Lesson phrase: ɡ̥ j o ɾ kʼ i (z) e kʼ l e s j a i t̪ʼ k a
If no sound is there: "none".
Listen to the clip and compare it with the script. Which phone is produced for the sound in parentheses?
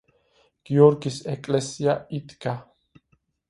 s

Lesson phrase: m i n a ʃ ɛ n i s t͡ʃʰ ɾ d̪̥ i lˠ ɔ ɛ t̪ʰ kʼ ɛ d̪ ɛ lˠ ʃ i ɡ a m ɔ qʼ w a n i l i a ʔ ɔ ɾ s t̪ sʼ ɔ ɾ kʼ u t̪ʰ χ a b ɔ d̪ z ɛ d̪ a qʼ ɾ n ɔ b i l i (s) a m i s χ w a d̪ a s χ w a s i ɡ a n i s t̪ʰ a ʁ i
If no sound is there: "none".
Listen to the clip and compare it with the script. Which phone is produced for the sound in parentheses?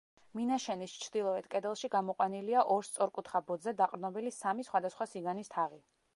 s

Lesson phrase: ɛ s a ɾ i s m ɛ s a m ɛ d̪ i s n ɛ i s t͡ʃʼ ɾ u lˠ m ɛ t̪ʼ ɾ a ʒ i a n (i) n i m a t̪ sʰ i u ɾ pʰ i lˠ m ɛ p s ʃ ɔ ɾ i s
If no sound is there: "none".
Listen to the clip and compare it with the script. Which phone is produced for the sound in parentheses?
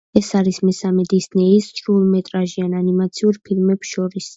a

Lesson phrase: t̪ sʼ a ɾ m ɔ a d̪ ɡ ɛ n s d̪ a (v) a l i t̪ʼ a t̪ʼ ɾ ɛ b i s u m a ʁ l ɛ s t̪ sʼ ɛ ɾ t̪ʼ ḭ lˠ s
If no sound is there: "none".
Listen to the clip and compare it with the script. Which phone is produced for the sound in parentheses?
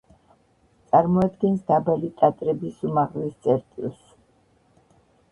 b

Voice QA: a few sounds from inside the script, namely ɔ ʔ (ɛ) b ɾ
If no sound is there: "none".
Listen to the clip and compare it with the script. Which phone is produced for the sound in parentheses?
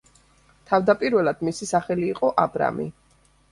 a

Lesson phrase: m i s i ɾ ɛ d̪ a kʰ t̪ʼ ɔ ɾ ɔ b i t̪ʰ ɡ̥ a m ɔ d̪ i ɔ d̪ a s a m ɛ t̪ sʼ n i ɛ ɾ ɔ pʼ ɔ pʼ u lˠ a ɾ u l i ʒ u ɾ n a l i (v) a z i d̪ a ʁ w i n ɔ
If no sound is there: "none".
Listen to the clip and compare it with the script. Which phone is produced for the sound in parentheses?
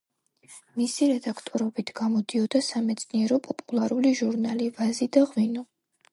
v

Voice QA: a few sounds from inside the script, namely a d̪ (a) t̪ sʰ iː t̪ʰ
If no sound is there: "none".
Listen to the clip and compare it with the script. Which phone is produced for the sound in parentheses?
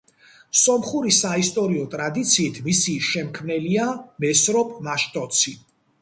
i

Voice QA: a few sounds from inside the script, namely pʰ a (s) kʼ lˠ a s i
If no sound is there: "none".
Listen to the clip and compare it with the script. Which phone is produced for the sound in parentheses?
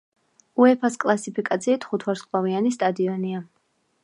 s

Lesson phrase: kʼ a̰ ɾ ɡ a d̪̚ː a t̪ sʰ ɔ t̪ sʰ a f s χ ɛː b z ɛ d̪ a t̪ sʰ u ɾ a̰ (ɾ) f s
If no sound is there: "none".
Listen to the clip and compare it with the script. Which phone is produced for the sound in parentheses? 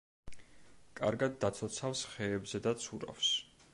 none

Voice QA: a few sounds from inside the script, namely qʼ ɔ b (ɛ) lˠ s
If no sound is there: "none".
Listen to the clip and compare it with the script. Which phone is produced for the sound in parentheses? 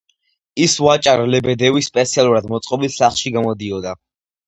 i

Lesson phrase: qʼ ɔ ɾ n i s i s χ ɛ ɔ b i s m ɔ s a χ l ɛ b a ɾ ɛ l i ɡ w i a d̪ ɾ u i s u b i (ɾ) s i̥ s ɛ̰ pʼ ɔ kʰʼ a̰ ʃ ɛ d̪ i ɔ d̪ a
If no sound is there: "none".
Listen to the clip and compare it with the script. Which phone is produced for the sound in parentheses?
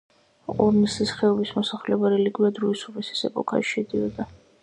none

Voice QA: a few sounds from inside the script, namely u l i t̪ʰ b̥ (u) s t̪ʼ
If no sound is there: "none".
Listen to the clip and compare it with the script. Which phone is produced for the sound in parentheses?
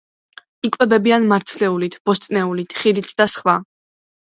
ɔ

